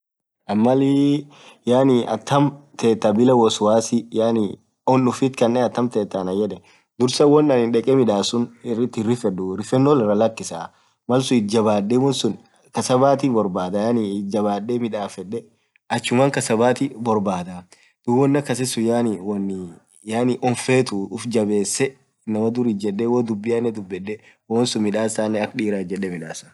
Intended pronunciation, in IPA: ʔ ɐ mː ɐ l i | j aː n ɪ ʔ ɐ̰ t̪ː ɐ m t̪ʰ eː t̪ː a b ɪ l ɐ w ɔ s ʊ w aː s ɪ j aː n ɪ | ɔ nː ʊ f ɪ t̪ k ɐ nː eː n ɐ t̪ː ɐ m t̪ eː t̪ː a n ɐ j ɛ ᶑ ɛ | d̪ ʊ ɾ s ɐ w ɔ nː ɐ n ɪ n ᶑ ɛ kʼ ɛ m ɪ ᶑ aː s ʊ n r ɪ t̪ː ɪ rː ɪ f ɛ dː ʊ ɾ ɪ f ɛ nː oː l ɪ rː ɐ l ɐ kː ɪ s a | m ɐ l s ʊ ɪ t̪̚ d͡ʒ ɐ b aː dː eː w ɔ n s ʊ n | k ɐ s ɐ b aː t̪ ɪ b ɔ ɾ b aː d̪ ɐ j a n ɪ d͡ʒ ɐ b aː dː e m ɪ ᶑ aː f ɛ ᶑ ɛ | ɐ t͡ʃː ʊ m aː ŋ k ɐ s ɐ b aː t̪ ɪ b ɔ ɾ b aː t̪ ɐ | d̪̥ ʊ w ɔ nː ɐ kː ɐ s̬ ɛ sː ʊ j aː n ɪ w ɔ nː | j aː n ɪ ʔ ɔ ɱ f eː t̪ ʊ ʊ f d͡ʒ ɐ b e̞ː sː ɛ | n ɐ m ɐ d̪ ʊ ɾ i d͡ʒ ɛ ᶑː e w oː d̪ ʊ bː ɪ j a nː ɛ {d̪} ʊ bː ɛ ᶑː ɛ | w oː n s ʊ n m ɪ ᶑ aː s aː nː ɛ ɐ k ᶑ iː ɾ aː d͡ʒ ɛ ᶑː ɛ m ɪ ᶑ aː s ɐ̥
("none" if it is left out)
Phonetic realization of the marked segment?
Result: d̪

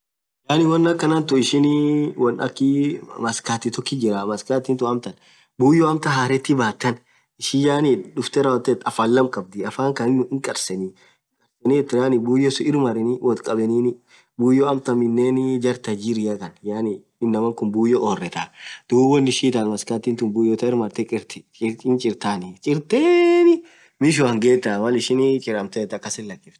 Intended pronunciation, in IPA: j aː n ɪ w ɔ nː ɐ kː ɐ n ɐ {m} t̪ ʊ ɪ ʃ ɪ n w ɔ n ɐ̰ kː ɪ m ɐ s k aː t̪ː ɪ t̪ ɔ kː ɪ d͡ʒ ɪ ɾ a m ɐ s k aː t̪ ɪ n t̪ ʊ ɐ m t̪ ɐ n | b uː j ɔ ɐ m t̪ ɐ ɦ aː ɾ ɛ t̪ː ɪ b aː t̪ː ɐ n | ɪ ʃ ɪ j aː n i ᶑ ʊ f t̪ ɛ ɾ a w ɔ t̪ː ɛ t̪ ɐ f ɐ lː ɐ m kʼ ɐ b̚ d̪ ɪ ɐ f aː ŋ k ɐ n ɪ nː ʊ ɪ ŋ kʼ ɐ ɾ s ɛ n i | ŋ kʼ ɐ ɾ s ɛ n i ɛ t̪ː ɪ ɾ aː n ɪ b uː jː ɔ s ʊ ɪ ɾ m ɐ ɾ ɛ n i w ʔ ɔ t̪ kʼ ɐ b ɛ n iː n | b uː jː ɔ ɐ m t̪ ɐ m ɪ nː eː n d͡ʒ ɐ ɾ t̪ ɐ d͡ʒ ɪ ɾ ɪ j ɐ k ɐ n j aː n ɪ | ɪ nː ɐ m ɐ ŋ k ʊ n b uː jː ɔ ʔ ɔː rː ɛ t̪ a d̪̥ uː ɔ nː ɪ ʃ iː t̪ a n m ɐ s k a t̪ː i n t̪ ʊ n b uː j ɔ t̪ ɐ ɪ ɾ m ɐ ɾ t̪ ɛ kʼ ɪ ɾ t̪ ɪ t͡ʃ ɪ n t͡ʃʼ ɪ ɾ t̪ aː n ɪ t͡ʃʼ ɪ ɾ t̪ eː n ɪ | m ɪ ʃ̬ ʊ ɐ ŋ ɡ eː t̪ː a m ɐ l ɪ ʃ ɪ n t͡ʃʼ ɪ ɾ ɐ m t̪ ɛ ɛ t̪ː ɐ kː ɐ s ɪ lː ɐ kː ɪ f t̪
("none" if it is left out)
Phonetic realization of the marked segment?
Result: n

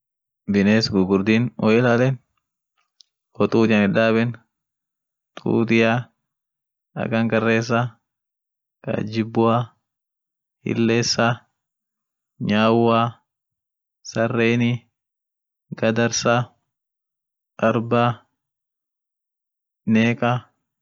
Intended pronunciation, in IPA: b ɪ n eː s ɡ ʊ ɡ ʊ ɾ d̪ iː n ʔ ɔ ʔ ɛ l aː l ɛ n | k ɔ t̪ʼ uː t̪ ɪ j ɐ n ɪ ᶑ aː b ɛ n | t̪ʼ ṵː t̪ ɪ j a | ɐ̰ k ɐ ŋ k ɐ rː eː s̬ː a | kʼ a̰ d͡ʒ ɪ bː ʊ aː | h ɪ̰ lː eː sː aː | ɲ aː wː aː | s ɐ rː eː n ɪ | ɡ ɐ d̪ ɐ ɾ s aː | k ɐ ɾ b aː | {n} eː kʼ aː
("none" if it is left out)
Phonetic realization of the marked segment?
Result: n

